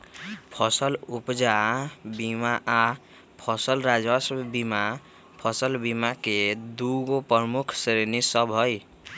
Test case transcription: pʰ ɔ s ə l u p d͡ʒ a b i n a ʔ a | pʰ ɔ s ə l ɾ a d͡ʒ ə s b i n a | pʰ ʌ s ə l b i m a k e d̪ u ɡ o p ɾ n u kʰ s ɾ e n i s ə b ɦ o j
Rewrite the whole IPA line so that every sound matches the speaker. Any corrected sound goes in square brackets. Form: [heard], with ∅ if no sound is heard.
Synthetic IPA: pʰ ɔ s ə l u p d͡ʒ a b i [m] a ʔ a | pʰ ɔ s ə l ɾ a d͡ʒ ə s b i [m] a | pʰ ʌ s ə l b i m a k e d̪ u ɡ o p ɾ [m] u kʰ s ɾ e n i s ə b ɦ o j